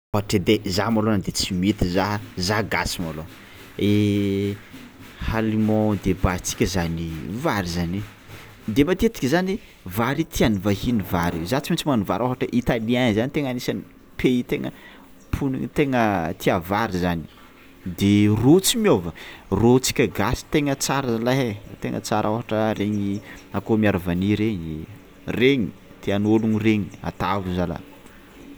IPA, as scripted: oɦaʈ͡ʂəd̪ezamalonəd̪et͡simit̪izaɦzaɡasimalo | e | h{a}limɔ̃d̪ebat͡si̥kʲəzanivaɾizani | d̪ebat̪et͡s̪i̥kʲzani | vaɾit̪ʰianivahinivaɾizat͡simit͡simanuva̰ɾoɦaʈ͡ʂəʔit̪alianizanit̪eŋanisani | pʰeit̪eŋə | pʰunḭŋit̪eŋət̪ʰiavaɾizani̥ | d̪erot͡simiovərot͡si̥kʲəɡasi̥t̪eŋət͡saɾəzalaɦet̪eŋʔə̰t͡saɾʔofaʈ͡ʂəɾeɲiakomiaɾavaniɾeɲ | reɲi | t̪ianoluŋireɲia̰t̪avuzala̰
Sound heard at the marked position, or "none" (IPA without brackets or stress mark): a